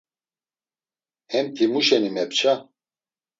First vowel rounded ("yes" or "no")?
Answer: no